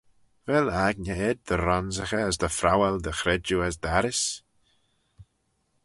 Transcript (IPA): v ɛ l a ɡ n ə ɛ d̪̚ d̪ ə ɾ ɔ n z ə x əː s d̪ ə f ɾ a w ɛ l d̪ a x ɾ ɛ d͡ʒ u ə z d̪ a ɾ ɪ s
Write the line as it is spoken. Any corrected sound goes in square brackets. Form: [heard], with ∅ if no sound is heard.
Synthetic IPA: v ɛ l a ɡ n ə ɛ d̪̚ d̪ ə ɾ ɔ n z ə x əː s d̪ ə f ɾ a w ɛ l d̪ [ə] x ɾ ɛ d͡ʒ u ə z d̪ a ɾ ɪ s